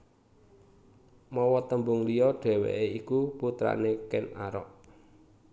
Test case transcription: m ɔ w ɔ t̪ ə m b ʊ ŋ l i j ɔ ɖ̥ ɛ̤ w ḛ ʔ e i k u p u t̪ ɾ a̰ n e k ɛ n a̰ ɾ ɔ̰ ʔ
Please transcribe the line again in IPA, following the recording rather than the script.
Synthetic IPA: m ɔ w ɔ t̪ ə m b ʊ ŋ l i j ɔ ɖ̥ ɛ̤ w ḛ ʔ e i k u p u t̪ ɾ a̰ n e k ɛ n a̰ ɾ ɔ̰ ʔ